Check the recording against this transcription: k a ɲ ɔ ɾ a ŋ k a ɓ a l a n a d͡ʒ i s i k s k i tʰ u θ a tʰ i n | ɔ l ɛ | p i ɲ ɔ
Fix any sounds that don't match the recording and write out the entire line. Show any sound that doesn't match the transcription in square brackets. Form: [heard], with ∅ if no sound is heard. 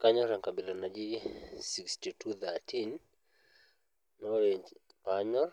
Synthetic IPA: k a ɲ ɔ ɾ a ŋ k a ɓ [i] l a n a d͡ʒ i s i k s [t] i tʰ u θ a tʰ i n | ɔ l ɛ | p [a] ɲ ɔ